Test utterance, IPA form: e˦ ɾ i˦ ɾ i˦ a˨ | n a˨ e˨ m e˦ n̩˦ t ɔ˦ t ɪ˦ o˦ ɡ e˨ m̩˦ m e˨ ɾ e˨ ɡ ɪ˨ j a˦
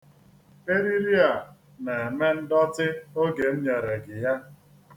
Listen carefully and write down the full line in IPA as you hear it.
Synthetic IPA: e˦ ɾ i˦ ɾ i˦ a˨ | n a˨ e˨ m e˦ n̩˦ d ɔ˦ t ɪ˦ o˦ ɡ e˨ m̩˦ ɲ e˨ ɾ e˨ ɡ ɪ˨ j a˦